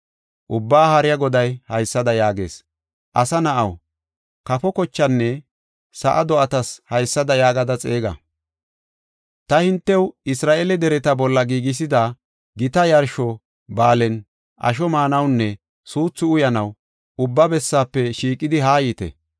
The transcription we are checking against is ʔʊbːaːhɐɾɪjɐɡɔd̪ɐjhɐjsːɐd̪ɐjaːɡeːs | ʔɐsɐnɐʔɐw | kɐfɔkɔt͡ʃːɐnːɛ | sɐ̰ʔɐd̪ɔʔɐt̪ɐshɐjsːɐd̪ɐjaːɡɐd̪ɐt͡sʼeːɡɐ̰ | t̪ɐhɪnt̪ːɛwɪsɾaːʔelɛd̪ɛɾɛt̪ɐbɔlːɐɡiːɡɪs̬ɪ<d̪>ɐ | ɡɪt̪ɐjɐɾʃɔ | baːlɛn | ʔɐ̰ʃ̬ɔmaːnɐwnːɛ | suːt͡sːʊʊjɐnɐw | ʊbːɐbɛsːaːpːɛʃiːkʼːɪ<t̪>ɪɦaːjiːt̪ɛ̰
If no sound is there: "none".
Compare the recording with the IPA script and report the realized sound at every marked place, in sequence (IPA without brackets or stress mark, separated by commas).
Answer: d̪, d̪